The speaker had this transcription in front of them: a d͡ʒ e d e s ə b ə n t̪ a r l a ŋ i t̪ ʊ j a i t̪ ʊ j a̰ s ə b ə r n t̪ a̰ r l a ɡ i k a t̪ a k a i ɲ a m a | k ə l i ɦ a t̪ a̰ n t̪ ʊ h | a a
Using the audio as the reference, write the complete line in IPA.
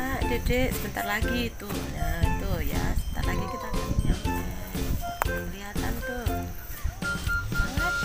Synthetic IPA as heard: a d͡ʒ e d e s ə b ə n t̪ a r l a ɡ i t̪ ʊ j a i t̪ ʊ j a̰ s ə b ə n t̪ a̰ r l a ɡ i k i t̪ a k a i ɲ a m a | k ə l i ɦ a t̪ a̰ n t̪ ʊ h | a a